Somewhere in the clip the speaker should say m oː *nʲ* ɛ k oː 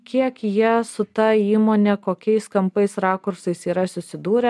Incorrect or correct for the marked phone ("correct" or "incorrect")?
correct